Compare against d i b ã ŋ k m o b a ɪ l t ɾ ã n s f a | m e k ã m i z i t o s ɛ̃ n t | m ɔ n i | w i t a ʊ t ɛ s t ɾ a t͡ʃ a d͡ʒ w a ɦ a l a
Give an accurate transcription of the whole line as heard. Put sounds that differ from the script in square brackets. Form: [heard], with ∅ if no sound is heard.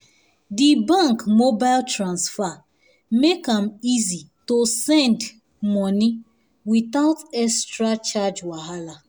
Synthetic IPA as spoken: d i b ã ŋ k m o b a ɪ l t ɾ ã n s f a | m e k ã m i z i t o s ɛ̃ n [d] | m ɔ n i | w i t a ʊ t ɛ s t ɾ a t͡ʃ a d͡ʒ w a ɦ a l a